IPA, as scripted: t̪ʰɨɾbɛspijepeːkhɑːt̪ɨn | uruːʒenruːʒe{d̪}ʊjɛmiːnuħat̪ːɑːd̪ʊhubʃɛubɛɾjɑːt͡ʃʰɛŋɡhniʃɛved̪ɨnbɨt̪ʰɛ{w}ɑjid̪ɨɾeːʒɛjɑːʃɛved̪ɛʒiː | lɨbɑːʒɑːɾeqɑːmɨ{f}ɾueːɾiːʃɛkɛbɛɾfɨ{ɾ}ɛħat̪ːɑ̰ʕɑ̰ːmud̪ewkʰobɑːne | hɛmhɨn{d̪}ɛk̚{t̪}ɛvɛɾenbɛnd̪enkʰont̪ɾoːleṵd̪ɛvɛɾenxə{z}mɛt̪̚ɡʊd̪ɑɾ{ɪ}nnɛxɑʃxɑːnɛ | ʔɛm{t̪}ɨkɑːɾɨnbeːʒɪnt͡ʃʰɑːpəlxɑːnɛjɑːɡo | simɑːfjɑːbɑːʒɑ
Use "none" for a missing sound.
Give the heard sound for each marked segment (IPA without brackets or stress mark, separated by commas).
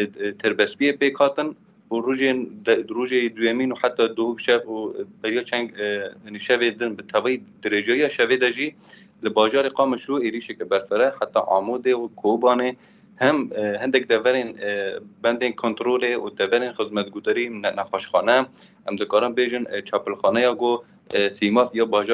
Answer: d̪, v, ʃ, ɾ, d̪, d̪, z, i, d̪